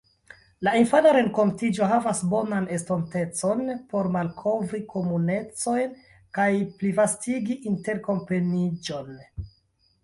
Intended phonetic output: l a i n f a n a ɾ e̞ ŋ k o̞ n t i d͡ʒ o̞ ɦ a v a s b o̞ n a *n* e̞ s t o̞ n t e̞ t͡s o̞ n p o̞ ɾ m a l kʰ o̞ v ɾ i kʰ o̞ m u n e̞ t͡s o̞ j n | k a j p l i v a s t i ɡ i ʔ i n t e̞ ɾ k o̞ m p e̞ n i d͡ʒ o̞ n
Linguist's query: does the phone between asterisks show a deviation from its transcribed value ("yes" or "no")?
no